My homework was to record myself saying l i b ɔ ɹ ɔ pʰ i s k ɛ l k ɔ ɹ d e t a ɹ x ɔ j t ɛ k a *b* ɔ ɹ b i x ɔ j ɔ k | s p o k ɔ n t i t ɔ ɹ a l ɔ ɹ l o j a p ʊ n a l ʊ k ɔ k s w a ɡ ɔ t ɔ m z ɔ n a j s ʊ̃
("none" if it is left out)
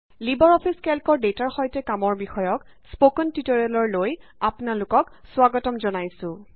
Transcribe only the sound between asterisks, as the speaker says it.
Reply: m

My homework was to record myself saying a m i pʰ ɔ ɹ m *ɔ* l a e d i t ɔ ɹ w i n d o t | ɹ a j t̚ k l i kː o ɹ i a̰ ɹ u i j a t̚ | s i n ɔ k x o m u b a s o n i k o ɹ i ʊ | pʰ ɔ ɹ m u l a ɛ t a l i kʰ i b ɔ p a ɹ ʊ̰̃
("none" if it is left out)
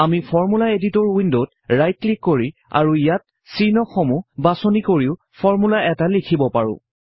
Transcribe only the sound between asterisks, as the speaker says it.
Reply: u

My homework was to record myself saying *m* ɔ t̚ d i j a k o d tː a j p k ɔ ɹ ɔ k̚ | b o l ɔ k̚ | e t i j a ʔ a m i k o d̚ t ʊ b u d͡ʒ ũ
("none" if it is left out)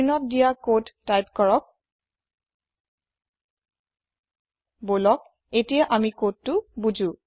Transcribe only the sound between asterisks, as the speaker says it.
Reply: n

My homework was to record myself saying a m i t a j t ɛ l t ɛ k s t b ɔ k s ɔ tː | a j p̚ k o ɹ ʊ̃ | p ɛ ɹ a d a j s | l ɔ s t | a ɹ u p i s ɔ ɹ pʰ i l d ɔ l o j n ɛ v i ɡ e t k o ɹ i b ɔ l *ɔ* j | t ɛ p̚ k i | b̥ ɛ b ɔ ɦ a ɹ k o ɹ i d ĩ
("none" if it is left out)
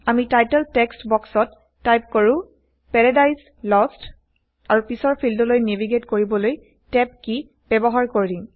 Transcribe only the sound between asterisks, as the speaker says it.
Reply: o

